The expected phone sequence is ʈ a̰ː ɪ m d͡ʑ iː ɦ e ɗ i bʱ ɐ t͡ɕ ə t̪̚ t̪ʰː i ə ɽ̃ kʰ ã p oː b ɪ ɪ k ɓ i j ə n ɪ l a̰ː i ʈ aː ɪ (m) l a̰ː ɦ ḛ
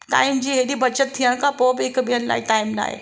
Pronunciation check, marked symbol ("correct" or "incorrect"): correct